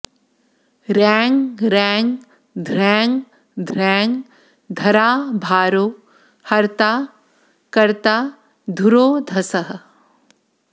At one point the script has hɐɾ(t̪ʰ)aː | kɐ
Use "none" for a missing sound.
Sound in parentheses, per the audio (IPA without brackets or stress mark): t̪